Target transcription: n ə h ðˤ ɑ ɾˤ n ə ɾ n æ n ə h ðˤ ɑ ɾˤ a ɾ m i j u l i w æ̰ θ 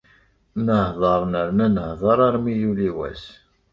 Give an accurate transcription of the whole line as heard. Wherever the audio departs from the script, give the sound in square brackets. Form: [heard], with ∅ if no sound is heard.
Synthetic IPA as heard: n ə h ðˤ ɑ ɾˤ n ə ɾ n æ n ə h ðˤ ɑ ɾˤ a ɾ m i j u l i w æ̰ [s]